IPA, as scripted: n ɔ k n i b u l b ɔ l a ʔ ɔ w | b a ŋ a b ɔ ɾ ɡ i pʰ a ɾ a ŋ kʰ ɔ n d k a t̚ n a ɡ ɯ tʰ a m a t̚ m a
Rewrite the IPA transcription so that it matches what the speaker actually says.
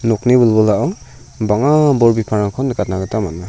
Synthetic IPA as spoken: n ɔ k n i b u l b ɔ l a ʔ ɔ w | b a ŋ a b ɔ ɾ b i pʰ a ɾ a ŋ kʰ ɔ n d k a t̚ n a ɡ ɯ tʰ a m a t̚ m a